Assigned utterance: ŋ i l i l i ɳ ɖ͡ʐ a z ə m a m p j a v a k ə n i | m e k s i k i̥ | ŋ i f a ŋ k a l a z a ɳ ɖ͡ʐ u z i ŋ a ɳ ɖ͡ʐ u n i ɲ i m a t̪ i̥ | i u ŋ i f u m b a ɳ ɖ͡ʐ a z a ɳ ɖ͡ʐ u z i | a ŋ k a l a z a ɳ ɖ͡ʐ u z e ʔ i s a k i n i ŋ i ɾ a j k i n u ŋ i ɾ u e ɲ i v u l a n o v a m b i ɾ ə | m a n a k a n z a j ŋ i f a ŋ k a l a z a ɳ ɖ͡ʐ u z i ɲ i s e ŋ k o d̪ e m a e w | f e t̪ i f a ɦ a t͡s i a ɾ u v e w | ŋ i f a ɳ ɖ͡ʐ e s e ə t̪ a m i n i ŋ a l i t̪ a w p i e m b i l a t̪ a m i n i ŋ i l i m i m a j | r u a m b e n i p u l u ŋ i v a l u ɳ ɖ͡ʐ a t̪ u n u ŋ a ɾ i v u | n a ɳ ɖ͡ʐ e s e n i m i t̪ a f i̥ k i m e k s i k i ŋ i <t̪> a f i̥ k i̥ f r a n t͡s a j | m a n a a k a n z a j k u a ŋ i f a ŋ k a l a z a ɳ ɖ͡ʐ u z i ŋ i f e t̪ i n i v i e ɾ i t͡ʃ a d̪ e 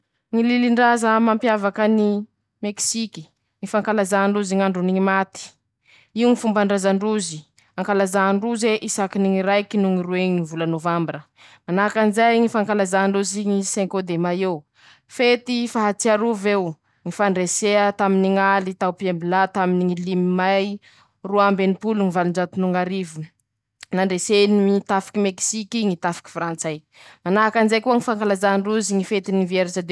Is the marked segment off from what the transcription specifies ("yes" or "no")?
no